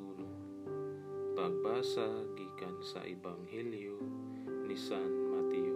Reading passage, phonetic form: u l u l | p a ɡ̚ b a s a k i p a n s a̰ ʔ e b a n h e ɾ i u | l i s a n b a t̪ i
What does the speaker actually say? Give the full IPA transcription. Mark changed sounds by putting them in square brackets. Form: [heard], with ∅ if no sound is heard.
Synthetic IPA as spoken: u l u [∅] | p a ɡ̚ b a s a [ɡ] i [k] a n s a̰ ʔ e b a [ŋ] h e [l] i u | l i s a n [m] a t̪ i